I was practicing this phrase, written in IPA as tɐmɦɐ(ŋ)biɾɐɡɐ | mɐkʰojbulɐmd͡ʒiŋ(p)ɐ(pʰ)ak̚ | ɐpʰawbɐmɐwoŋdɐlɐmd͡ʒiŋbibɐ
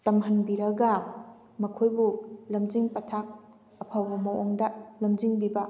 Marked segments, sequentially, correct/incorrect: incorrect: n, correct, incorrect: tʰ

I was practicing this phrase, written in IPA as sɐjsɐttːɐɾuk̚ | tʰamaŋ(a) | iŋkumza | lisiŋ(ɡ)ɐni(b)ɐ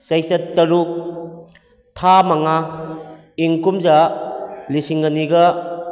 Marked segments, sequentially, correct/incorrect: correct, correct, incorrect: ɡ

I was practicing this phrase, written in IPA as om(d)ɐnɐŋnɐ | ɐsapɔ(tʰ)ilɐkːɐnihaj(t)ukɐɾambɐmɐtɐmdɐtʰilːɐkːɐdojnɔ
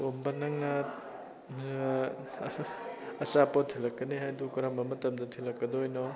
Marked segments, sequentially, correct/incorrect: incorrect: b, correct, incorrect: d

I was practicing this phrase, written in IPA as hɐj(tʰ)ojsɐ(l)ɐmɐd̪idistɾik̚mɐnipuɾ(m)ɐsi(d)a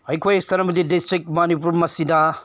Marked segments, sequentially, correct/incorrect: incorrect: kʰ, incorrect: ɾ, correct, correct

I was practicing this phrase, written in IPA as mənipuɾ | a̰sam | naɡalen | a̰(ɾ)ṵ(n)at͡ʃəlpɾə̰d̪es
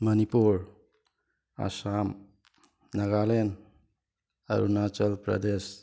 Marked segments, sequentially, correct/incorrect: correct, correct

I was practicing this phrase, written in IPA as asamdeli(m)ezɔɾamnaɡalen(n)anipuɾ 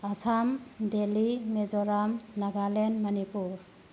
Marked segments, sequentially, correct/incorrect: correct, incorrect: m

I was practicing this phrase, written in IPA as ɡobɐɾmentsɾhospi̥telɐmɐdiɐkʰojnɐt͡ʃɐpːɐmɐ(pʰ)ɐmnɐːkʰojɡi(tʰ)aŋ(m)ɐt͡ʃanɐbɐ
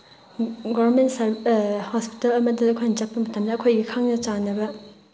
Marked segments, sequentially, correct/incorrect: incorrect: tʰ, incorrect: kʰ, incorrect: n

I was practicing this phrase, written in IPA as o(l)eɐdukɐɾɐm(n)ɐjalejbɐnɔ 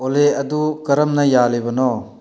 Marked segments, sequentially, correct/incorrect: correct, correct

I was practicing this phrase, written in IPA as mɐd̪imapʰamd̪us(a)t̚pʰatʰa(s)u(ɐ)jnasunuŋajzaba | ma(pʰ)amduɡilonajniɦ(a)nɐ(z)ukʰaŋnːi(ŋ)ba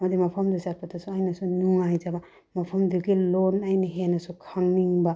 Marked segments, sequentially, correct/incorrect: correct, correct, incorrect: a, correct, incorrect: e, incorrect: s, correct

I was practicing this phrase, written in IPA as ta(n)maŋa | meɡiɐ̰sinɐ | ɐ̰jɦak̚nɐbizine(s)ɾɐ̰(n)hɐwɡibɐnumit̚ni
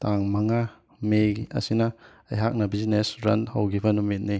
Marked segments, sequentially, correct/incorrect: incorrect: ŋ, correct, correct

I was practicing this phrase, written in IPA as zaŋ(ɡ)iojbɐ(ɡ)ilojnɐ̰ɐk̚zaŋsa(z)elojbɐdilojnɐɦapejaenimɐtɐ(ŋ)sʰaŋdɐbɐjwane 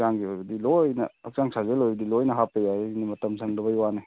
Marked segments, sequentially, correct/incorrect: correct, incorrect: d, correct, incorrect: m

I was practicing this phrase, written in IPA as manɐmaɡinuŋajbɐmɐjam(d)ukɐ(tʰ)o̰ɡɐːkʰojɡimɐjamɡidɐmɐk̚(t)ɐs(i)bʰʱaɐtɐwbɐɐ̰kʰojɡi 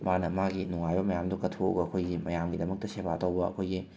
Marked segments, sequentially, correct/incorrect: correct, correct, correct, incorrect: e

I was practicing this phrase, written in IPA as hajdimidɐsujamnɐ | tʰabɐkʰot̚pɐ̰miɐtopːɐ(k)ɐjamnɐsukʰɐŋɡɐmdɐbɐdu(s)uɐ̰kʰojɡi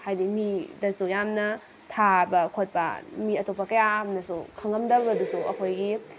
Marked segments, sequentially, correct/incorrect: correct, correct

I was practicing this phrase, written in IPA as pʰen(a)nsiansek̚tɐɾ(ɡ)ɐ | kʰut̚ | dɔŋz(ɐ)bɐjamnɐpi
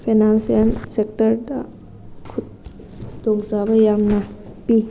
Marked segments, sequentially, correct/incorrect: correct, incorrect: d, incorrect: a

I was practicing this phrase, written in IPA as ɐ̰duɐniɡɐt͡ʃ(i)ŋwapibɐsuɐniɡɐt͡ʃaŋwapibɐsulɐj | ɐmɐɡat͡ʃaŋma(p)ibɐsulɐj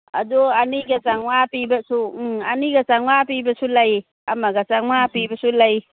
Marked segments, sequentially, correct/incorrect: incorrect: a, correct

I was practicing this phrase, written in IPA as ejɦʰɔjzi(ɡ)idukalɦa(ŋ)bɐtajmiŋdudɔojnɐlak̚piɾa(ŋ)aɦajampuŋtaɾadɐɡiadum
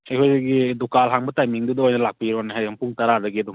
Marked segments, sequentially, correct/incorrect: correct, correct, incorrect: n

